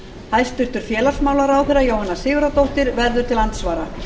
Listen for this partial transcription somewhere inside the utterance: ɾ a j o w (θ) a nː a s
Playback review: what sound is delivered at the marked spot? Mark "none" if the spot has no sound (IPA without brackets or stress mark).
h